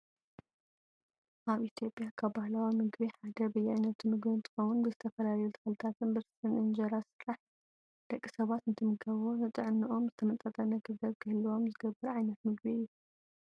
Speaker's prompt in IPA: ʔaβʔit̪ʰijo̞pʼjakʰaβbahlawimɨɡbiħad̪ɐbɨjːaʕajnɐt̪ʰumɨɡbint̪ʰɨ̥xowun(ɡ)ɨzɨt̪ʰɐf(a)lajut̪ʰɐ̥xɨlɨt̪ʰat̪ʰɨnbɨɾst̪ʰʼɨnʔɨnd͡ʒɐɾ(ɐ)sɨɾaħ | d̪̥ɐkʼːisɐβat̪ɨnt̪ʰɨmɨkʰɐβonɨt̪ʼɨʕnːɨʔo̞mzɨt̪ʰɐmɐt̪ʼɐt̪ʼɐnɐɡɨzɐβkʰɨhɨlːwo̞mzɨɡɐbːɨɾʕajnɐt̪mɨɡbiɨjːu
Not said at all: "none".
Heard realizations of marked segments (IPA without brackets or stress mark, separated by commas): b, ɐ, a